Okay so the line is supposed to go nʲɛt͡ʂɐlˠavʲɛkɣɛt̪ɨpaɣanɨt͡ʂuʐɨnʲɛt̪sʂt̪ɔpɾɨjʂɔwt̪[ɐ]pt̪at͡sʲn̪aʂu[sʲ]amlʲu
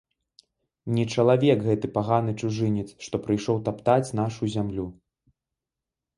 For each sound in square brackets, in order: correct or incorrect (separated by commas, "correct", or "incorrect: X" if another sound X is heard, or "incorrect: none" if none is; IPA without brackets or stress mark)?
incorrect: a, incorrect: zʲ